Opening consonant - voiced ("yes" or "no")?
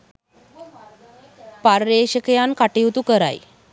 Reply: no